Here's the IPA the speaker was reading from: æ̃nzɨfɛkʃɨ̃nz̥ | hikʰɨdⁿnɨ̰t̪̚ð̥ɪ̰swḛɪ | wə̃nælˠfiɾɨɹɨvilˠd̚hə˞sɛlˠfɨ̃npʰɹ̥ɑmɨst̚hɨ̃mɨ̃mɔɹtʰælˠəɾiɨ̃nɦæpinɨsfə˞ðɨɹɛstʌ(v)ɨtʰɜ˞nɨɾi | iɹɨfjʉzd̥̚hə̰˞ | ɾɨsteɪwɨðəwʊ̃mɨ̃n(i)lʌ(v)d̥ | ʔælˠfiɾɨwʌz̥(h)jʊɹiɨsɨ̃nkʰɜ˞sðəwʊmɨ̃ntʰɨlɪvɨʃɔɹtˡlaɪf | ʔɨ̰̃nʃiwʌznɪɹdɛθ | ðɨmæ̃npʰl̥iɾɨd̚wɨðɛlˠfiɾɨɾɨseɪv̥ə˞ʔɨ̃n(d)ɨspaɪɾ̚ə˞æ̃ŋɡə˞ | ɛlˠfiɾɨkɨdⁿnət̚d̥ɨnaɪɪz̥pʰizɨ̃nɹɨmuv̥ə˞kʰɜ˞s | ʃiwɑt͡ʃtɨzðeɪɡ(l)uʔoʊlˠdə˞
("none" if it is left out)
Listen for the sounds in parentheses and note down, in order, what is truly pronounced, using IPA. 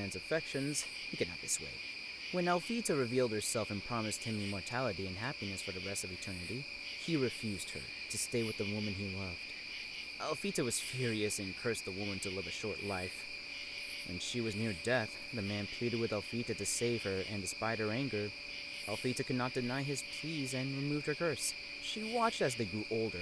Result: v, i, v, f, d, ɹ

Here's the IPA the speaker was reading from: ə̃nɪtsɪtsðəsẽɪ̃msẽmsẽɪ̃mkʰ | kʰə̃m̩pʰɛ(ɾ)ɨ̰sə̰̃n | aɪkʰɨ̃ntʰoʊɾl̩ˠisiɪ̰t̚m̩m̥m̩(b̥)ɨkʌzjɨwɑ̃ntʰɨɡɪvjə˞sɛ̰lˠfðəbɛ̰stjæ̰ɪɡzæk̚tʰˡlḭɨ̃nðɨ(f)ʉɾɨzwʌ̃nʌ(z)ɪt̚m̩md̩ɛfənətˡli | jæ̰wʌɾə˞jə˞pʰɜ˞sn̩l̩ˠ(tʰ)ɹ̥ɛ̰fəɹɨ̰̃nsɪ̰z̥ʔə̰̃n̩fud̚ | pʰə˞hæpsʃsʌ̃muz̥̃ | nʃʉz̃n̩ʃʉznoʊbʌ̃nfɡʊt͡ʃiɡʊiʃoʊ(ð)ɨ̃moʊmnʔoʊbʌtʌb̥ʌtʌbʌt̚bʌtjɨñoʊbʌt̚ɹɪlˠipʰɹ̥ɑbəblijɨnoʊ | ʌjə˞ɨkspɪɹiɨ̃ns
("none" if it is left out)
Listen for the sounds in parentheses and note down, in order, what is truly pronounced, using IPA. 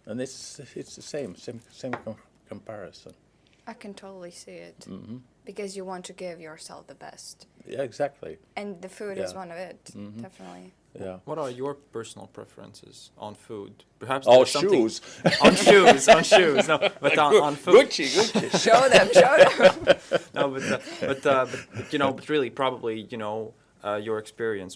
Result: ɹ, b̥, f, v, pʰ, ð

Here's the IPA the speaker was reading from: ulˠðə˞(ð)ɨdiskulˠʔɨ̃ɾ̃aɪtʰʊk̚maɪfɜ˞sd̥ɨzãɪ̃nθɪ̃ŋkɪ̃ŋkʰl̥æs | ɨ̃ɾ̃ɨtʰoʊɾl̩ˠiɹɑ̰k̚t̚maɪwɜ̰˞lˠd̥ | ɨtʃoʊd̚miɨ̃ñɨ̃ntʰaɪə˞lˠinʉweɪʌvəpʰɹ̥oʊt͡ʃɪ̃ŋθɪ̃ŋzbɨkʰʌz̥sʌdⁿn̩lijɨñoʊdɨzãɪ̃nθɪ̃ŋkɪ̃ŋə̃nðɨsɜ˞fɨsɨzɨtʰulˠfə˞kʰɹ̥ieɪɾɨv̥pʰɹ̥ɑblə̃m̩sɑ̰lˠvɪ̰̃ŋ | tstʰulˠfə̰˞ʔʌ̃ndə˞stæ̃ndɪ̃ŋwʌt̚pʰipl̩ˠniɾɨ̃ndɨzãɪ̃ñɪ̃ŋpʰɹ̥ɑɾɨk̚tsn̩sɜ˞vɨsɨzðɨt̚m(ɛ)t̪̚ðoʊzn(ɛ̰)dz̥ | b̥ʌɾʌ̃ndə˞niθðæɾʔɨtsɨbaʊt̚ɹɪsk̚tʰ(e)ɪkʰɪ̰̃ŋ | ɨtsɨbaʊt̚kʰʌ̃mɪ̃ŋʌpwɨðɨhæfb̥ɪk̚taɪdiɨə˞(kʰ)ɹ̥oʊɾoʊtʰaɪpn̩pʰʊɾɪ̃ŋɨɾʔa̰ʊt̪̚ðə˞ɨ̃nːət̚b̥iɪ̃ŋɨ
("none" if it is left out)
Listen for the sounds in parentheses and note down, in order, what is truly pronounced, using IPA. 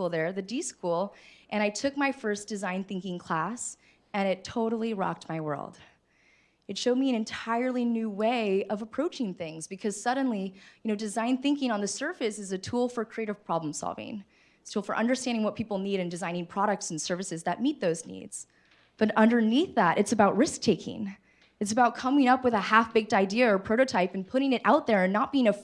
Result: ð, i, ḭ, e, pʰ

